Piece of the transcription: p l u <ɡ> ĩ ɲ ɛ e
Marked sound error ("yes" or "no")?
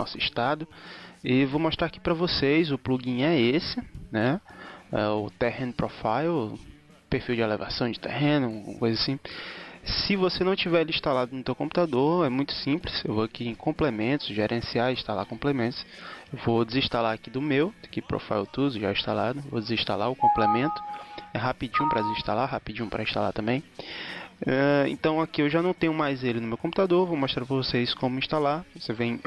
no